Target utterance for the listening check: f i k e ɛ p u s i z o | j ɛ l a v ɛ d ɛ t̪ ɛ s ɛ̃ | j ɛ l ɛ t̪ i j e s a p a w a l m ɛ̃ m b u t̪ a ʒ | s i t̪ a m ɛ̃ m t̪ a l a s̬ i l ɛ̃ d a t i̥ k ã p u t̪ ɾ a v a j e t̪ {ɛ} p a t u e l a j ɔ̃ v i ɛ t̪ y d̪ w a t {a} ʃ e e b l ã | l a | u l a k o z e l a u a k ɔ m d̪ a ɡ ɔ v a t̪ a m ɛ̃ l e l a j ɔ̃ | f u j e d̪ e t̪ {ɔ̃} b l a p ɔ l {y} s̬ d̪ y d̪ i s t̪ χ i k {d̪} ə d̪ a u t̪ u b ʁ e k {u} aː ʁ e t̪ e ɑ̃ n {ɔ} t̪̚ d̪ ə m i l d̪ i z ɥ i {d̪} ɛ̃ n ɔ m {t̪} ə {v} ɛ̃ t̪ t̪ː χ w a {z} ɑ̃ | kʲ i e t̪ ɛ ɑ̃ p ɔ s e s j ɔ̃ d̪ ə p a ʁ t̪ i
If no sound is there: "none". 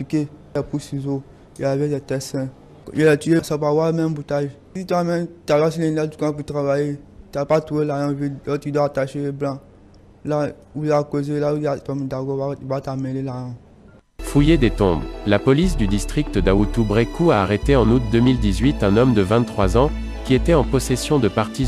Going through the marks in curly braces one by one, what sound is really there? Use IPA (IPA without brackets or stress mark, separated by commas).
a, a, ɔ̃, i, t̪, u, u, t̪, d̪, v, z